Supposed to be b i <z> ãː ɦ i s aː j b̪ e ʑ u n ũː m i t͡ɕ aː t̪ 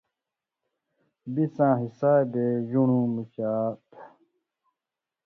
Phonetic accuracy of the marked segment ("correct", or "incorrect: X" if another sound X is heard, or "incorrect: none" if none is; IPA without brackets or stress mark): incorrect: s